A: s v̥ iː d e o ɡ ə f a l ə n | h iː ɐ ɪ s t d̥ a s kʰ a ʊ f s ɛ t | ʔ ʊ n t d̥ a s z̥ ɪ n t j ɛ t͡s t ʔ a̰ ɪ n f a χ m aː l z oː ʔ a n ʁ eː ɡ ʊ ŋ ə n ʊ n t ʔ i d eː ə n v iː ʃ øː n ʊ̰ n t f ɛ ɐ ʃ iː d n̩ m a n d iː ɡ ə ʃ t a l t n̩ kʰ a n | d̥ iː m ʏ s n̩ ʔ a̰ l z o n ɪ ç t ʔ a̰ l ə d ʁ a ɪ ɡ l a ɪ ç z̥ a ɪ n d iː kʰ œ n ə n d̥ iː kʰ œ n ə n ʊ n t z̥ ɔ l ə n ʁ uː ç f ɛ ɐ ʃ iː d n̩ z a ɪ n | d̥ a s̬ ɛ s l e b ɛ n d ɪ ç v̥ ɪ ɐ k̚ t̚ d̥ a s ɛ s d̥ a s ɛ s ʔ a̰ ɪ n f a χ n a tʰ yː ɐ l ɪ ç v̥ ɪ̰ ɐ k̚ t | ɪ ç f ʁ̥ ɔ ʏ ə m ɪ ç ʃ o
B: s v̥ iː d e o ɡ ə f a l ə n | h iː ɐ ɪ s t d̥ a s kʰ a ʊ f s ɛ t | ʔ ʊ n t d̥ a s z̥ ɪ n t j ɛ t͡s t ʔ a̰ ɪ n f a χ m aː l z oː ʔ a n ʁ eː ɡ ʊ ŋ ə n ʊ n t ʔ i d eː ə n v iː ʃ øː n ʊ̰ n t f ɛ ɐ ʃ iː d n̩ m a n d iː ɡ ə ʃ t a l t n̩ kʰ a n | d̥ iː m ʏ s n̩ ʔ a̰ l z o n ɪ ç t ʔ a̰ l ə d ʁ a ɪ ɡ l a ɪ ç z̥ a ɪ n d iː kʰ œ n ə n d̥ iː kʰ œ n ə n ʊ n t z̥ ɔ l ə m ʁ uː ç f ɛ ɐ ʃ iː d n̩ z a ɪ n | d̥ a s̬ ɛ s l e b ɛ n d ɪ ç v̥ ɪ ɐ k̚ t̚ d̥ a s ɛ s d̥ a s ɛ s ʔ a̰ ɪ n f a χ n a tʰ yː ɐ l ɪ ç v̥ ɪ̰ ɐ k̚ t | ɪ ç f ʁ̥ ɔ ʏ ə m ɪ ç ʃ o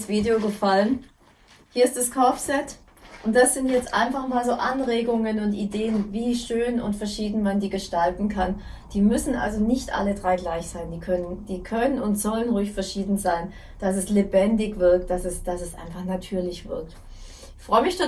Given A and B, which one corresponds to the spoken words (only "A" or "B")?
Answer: A